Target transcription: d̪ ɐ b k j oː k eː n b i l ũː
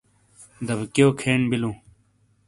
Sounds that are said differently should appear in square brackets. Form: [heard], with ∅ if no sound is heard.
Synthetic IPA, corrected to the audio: d̪ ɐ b k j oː [kʰ] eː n b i l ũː